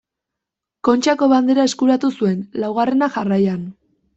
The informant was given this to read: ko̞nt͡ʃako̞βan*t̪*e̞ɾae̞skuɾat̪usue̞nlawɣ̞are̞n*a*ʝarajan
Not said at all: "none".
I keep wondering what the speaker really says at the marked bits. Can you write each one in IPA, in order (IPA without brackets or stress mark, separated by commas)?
d̪, a